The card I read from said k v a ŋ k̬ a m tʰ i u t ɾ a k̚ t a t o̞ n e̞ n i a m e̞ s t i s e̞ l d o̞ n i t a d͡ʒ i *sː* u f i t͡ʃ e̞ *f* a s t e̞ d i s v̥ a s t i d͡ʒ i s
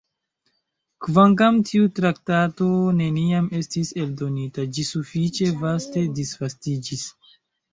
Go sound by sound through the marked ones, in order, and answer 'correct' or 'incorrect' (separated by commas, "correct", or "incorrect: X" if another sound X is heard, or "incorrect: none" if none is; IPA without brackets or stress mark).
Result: incorrect: s, incorrect: v